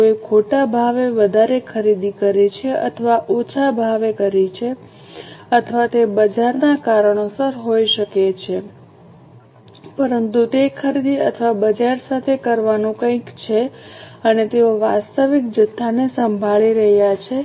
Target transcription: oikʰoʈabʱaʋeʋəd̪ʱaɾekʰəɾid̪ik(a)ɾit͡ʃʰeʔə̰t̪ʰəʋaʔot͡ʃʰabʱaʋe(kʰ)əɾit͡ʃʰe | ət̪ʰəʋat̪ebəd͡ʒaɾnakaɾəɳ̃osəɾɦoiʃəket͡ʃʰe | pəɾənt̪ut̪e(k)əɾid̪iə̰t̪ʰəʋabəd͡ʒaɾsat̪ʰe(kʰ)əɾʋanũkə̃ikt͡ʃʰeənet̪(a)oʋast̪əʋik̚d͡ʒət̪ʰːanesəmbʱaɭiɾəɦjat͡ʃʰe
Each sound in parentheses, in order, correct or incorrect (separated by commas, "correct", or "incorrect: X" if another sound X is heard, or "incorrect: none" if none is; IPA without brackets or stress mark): incorrect: ə, incorrect: k, incorrect: kʰ, incorrect: k, incorrect: e